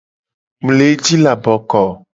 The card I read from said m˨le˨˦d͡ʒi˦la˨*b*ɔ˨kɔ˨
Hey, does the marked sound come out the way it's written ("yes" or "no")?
yes